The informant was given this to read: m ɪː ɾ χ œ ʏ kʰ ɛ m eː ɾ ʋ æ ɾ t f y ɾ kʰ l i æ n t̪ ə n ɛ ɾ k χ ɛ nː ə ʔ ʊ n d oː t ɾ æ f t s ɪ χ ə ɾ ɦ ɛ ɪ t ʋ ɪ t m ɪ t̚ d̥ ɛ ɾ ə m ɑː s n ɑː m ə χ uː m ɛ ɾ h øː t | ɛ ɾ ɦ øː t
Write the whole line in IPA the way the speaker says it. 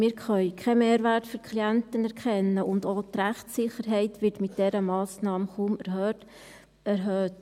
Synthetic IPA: m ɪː ɾ χ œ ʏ kʰ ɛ m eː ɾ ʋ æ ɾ t f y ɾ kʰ l i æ n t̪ ə n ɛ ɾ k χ ɛ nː ə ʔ ʊ n d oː t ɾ æ χ t s ɪ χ ə ɾ ɦ ɛ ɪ t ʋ ɪ t m ɪ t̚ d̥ ɛ ɾ ə m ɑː s n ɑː m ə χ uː m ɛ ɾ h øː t | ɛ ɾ ɦ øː t